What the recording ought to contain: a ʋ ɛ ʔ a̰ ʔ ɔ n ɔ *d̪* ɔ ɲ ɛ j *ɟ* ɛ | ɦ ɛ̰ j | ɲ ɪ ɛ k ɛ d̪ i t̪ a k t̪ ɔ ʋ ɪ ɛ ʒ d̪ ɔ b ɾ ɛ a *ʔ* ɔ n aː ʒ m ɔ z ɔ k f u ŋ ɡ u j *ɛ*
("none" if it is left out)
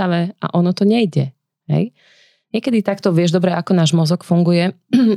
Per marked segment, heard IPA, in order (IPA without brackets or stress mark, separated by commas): t̪, ɟ, k, ɛ